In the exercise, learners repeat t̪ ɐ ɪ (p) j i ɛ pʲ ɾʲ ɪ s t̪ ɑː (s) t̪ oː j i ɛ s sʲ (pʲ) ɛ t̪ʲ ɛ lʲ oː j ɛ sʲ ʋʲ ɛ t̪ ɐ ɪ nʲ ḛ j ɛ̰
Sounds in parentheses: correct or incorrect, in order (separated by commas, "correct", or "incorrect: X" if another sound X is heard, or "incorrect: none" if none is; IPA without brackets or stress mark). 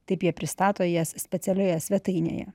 correct, incorrect: none, correct